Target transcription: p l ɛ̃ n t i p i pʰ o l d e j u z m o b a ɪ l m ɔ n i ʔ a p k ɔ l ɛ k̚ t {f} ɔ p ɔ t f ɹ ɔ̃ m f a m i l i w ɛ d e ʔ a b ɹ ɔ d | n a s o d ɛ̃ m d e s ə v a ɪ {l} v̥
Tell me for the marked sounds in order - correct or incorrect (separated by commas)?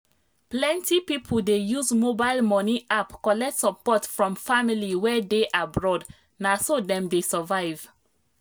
incorrect, incorrect